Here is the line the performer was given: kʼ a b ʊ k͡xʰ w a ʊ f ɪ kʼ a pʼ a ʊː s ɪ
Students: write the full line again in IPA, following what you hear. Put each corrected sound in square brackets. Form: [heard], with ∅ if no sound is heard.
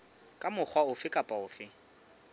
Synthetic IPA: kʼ a [m] ʊ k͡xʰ w a ʊ f ɪ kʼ a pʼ a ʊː [f] ɪ